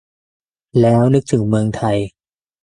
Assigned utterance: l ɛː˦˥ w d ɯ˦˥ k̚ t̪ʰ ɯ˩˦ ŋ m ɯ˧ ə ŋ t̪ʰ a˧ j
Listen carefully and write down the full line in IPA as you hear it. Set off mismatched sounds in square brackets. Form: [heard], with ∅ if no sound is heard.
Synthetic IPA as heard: l ɛː˦˥ w [n] ɯ˦˥ k̚ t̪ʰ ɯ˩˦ ŋ m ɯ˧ ə ŋ t̪ʰ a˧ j